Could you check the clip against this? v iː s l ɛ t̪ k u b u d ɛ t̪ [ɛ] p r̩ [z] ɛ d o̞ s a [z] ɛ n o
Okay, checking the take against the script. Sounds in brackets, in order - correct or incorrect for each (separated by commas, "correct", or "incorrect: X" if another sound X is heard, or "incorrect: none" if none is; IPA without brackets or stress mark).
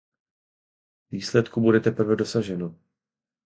correct, incorrect: v, incorrect: ʒ